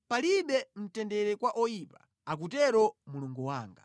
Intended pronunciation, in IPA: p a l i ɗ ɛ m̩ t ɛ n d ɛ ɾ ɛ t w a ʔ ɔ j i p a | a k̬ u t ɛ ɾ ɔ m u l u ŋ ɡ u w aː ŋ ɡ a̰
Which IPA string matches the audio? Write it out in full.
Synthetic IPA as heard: p a l i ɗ ɛ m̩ t ɛ n d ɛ ɾ ɛ k w a ʔ ɔ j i p a | a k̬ u t ɛ ɾ ɔ m u l u ŋ ɡ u w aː ŋ ɡ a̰